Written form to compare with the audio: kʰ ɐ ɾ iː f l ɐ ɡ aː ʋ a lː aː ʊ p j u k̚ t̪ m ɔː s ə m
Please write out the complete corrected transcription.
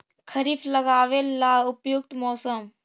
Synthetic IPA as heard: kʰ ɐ ɾ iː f l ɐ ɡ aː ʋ e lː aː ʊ p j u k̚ t̪ m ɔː s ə m